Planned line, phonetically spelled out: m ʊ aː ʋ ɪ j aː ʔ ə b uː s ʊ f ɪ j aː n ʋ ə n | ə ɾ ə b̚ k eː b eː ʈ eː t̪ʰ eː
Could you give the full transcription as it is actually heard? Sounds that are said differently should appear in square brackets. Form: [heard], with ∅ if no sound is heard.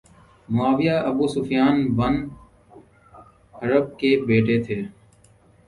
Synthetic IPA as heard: m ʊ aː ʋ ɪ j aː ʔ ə b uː s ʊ f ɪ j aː n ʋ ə n | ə ɾ ə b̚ k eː b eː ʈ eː t̪ʰ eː